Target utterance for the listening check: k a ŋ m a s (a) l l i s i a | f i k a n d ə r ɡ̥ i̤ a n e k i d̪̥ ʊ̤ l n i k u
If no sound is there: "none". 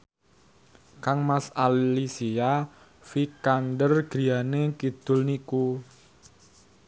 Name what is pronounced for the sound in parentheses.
a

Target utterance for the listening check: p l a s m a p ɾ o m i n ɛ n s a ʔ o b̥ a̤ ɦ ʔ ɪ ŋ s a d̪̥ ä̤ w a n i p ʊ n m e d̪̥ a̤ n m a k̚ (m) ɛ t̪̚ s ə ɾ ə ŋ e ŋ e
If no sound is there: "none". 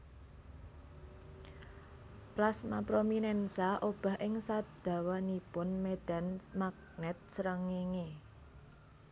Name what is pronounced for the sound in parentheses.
n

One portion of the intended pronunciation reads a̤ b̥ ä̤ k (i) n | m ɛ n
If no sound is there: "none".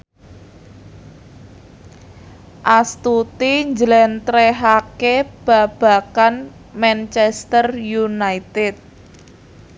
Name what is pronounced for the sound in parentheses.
a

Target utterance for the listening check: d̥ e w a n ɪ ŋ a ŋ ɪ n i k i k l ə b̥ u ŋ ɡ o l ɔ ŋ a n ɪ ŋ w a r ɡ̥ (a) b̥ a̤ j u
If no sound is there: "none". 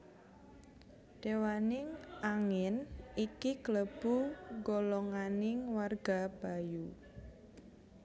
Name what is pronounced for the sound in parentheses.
a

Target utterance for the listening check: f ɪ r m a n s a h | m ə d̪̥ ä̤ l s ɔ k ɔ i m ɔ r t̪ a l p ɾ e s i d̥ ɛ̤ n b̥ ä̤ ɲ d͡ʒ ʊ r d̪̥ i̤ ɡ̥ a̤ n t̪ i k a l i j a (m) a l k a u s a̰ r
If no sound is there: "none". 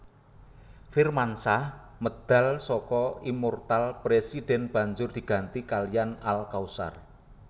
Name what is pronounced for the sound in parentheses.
n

